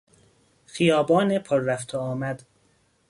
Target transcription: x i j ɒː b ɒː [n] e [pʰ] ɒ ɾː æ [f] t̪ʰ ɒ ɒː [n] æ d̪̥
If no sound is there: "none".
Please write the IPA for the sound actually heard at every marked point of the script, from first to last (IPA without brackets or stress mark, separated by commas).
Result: n, pʰ, f, m